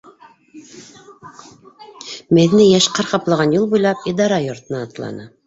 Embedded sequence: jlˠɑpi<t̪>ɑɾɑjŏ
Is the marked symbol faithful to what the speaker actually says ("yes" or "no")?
no